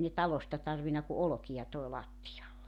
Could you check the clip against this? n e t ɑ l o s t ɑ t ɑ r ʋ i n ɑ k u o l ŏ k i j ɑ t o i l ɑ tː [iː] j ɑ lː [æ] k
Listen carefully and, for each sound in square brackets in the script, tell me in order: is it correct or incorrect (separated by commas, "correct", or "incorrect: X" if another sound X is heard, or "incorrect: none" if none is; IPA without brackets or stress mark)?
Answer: incorrect: i, incorrect: e